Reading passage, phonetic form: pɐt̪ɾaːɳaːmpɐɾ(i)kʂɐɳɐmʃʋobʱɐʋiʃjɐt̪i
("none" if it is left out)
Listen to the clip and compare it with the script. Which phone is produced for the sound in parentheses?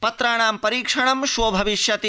iː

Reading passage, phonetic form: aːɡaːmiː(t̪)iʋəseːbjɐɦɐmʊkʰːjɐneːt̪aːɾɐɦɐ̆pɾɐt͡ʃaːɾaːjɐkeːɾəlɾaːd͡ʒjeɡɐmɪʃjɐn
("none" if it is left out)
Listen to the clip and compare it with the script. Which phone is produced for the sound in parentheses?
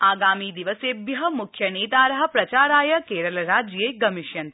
d̪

